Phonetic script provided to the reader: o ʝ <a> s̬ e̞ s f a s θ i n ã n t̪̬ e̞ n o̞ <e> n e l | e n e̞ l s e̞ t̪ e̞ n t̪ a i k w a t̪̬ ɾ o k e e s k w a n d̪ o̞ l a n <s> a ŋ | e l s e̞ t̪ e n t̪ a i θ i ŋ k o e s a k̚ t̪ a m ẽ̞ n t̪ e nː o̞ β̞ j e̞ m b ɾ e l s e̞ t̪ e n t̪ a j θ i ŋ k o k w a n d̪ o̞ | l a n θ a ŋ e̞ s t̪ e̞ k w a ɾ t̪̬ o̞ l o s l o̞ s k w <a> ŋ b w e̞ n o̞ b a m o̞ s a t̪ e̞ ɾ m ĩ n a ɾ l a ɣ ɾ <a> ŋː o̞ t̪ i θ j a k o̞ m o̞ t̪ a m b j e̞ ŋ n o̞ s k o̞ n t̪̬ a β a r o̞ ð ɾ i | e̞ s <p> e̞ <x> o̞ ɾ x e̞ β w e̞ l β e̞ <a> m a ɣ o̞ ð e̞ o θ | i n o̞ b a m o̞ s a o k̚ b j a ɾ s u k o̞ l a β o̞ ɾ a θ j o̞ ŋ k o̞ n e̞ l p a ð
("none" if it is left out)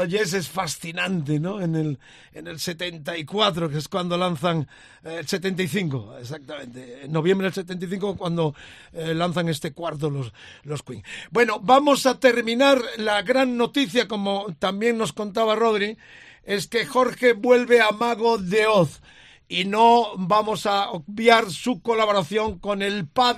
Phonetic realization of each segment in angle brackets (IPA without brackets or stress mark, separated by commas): e, e, θ, i, a, k, x, a